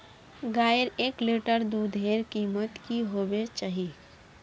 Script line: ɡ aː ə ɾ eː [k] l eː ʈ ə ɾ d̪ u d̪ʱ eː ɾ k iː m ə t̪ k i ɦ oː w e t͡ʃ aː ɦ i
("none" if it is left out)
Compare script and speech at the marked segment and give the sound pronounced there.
k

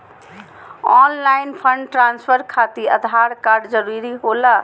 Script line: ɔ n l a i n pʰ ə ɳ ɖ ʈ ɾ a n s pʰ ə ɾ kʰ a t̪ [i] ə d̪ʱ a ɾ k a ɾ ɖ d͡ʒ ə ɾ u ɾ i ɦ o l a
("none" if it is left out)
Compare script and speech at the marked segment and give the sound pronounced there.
i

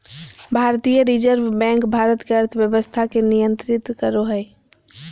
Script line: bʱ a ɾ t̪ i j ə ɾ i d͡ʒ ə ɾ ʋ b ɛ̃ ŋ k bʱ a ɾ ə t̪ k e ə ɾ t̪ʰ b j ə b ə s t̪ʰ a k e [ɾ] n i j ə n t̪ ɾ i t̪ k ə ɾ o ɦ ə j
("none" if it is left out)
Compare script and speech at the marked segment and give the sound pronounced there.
none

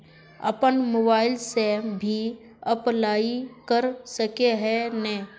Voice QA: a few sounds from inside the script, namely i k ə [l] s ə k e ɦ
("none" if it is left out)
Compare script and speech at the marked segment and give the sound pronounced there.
ɾ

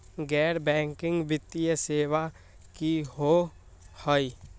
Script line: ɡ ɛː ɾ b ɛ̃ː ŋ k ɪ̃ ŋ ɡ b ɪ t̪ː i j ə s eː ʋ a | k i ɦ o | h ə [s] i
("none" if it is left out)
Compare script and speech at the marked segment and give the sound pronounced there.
none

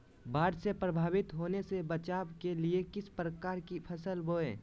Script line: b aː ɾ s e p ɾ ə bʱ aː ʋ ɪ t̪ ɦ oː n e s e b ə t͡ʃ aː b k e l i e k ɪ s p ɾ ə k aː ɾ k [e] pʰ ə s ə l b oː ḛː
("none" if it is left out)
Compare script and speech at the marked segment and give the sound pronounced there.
i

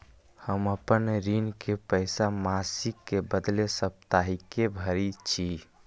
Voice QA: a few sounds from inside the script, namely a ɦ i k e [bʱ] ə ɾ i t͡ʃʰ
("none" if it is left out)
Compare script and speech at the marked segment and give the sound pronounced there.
bʱ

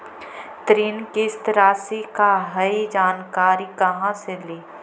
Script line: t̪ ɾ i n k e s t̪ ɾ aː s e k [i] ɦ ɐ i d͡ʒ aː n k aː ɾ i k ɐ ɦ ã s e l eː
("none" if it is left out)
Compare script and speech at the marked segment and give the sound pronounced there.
a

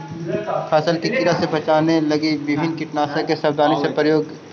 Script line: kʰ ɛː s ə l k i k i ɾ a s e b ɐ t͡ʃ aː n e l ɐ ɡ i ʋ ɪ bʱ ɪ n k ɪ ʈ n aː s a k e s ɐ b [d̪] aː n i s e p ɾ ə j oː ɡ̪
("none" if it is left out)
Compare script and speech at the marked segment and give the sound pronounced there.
d̪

